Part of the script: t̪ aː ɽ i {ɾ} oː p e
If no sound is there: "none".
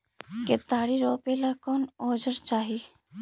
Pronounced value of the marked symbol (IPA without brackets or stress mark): ɾ